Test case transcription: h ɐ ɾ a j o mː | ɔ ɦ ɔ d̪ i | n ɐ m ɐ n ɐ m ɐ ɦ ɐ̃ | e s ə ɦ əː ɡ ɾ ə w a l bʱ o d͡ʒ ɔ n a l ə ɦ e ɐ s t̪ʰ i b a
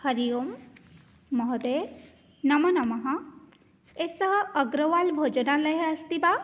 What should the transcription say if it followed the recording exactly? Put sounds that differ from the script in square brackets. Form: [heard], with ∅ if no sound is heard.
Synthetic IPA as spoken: h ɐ ɾ [i] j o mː | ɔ ɦ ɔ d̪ [e] | n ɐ m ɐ n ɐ m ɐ ɦ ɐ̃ | e s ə ɦ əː ɡ ɾ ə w a l bʱ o d͡ʒ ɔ n a l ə ɦ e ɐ s [t̪] i b a